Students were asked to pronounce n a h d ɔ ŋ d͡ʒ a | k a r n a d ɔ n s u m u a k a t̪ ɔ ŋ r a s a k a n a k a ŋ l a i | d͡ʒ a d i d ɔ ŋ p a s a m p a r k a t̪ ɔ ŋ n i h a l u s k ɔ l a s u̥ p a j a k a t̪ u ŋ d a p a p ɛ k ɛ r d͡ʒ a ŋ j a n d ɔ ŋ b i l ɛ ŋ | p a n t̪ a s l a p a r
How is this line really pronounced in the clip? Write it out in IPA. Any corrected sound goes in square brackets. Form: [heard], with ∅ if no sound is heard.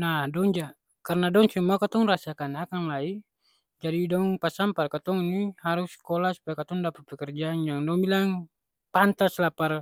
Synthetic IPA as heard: n a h d ɔ ŋ d͡ʒ a | k a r n a d ɔ [ŋ] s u m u a k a t̪ ɔ ŋ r a s a k a n a k a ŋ l a i | d͡ʒ a d i d ɔ ŋ p a s a m p a r k a t̪ ɔ ŋ n i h a [ɾ] u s k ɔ l a s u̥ p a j a k a t̪ [ɔ] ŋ d a p a p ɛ k ɛ r d͡ʒ a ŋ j a [ŋ] d ɔ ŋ b i l [a] ŋ | p a n t̪ a s l a p a r